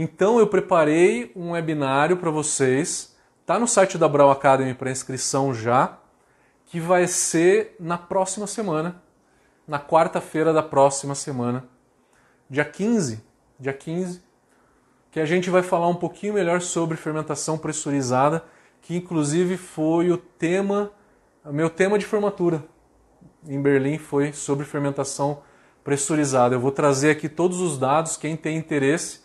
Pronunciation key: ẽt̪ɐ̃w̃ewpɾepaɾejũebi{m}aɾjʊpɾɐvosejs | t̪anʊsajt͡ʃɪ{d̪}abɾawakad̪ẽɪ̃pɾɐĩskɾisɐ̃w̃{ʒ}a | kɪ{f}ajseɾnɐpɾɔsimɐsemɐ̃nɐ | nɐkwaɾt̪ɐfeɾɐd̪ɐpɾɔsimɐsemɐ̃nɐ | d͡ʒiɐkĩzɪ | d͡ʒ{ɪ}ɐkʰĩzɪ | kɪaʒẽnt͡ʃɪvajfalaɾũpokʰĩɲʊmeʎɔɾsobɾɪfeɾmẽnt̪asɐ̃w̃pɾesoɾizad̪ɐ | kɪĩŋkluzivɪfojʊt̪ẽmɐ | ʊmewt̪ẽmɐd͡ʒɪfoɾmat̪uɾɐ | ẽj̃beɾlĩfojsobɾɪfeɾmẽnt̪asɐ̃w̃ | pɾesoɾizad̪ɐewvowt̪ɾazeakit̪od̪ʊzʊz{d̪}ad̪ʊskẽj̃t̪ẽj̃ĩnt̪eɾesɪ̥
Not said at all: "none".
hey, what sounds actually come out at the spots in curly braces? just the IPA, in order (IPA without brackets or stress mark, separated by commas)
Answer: n, d̪, ʒ, v, i, d̪